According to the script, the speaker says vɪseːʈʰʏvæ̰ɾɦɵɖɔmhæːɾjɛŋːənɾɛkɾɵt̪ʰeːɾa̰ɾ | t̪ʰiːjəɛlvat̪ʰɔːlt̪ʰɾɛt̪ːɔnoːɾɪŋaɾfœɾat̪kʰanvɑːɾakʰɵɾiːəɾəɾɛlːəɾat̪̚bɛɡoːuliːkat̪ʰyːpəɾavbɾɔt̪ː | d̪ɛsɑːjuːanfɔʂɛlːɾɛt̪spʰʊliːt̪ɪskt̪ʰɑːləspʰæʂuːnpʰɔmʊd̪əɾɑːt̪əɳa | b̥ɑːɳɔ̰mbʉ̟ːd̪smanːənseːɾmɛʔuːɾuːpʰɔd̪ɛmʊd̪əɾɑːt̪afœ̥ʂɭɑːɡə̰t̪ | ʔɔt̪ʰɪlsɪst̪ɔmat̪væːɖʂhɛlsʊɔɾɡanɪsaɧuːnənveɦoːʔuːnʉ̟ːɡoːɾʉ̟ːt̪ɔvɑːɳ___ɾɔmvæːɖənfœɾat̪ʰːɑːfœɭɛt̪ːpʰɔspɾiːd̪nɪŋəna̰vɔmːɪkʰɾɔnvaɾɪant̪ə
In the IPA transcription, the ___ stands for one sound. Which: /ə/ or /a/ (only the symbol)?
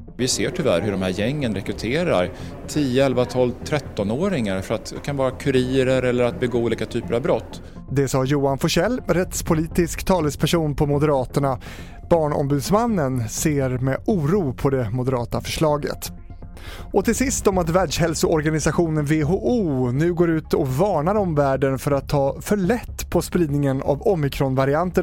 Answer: a